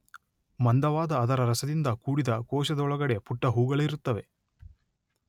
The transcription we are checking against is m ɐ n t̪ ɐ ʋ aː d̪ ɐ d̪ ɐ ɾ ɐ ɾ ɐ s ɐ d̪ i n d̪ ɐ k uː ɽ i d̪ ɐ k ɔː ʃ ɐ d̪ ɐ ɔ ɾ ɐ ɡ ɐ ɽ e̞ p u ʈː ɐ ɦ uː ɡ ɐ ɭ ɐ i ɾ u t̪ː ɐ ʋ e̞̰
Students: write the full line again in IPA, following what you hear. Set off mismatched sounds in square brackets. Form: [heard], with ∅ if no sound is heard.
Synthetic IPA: m ɐ n [d̪] ɐ ʋ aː d̪ [ɐː] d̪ ɐ ɾ ɐ ɾ ɐ s ɐ d̪ i n d̪ ɐ k uː ɽ i d̪ ɐ k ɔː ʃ ɐ d̪ ɐ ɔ [ɭ] ɐ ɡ ɐ ɽ e̞ p u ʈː ɐ ɦ uː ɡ ɐ ɭ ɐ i ɾ u t̪ː ɐ ʋ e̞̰